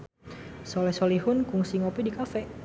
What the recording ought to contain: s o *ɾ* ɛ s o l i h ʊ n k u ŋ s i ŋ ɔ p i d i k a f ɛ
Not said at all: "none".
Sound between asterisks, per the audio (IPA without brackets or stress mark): l